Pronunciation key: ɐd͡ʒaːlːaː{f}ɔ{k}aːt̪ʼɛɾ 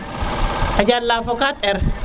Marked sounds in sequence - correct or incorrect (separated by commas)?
correct, correct